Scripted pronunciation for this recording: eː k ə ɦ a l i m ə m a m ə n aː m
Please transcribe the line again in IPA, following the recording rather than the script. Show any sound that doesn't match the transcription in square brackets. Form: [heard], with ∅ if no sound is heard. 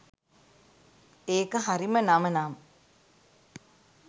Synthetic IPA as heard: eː k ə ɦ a [ɾ] i m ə [n] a m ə n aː m